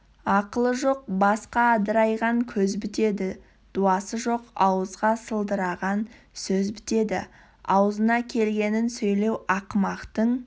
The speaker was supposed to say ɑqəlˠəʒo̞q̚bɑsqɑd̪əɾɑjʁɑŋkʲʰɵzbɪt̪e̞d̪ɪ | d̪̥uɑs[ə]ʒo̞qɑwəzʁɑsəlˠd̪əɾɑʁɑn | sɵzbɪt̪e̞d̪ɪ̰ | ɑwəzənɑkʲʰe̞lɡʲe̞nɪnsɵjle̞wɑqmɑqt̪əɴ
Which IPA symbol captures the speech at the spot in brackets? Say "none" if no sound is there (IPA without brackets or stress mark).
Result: ə